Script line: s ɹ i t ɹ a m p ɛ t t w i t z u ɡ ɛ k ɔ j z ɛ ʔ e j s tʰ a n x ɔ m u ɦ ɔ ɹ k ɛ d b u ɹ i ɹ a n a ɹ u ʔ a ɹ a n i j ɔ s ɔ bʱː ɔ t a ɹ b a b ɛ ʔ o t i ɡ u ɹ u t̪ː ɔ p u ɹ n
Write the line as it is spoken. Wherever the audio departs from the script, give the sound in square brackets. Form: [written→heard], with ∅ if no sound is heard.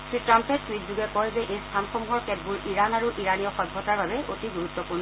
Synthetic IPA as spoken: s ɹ i t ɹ a m p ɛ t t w i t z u ɡ ɛ k ɔ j z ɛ ʔ e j s tʰ a n x ɔ m u ɦ ɔ ɹ k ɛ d b u ɹ i ɹ a n a ɹ u ʔ [a→i] ɹ a n i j ɔ [s→x] ɔ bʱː ɔ t a ɹ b a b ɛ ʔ o t i ɡ u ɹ u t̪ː ɔ p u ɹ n

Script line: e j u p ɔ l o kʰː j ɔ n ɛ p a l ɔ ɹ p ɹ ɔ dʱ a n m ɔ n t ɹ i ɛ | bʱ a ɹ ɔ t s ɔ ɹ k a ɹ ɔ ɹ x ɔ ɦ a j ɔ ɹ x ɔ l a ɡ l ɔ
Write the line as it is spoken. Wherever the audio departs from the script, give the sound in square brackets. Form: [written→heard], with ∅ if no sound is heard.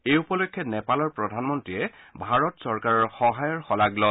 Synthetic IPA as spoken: e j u p ɔ l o kʰː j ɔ n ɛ p a l ɔ ɹ p ɹ ɔ dʱ a n m ɔ n t ɹ i ɛ | bʱ a ɹ ɔ t s ɔ ɹ k a ɹ ɔ ɹ x ɔ ɦ a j ɔ ɹ x ɔ l a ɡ l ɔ

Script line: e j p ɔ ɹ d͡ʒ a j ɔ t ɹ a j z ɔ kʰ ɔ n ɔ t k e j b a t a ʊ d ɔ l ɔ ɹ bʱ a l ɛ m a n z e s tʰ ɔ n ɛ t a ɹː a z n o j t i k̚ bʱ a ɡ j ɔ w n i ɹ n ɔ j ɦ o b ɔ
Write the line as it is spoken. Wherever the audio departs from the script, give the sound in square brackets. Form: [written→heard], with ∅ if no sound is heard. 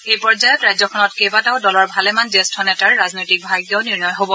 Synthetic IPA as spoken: e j p ɔ ɹ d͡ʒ a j ɔ t ɹ a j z ɔ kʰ ɔ n ɔ t k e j b a t a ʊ d ɔ l ɔ ɹ bʱ a l ɛ m a n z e s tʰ ɔ n ɛ t a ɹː a z n o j t i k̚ bʱ a ɡ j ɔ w n i ɹ n ɔ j ɦ o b ɔ

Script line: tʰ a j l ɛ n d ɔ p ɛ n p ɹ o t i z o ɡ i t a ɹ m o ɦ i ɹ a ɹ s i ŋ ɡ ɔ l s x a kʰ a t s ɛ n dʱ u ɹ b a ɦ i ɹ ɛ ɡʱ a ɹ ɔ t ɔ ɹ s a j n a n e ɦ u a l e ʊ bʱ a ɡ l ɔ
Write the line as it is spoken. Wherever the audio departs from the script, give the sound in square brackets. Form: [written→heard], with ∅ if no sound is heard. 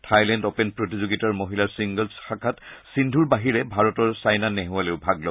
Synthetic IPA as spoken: tʰ a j l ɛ n d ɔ p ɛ n p ɹ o t i z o ɡ i t a ɹ m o ɦ i [ɹ→l] a ɹ s i ŋ ɡ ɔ l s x a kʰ a t s [ɛ→i] n dʱ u ɹ b a ɦ i ɹ ɛ [ɡʱ→bʱ] a ɹ ɔ t ɔ ɹ s a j n a n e ɦ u a l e ʊ bʱ a ɡ l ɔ

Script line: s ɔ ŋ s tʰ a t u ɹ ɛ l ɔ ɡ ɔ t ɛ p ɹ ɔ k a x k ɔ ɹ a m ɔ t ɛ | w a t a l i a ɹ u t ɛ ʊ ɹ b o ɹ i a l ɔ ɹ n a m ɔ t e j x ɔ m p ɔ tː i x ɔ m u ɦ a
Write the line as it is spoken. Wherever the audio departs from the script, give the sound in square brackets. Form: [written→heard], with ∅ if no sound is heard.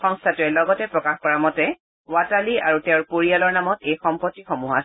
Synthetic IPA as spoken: [s→x] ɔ ŋ s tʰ a t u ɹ ɛ l ɔ ɡ ɔ t ɛ p ɹ ɔ k a x k ɔ ɹ a m ɔ t ɛ | w a t a l i a ɹ u t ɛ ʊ ɹ [b→p] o ɹ i a l ɔ ɹ n a m ɔ t e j x ɔ m p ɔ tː i x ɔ m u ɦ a

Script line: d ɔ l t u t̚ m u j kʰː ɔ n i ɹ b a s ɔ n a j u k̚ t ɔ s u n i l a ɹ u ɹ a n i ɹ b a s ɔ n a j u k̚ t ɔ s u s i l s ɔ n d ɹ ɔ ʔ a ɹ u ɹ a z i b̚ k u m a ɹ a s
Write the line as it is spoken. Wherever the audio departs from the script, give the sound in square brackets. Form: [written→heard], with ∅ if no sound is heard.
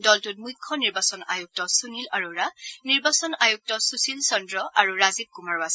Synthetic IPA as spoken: d ɔ l t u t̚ m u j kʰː ɔ n i ɹ b a s ɔ n a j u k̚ t ɔ s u n i l a ɹ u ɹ a n i ɹ b a s ɔ n a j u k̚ t ɔ s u s i l s ɔ n d ɹ ɔ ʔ a ɹ u ɹ a z i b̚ k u m a ɹ a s

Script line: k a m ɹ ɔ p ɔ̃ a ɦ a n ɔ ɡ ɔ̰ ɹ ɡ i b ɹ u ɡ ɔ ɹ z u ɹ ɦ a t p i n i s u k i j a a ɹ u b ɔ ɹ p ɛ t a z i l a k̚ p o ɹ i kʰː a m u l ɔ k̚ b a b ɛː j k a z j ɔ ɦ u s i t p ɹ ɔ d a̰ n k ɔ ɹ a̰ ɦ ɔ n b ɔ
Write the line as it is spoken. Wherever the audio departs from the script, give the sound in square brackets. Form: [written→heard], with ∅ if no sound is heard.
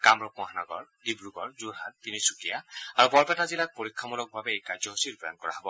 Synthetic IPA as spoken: k a m ɹ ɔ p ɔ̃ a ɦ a n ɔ ɡ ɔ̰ ɹ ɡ i b ɹ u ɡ ɔ ɹ z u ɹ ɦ a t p i n i s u k i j a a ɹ u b ɔ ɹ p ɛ t a z i l a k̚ p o ɹ i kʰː a m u l ɔ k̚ b a b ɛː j k a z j ɔ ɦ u s i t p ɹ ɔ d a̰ n k ɔ ɹ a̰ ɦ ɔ [n→∅] b ɔ

